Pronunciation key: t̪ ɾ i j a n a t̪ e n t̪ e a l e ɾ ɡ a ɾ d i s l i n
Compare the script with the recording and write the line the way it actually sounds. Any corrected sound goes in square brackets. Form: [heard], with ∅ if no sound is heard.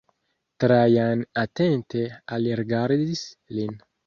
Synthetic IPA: t̪ ɾ [a] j a n a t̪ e n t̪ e a l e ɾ ɡ a ɾ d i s l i n